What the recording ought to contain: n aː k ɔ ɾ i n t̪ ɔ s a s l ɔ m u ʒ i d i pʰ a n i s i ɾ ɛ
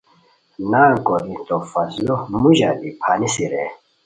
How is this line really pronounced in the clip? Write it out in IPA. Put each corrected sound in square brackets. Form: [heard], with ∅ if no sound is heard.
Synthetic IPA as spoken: n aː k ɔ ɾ i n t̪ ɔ [f] a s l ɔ m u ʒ [a] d i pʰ a n i s i ɾ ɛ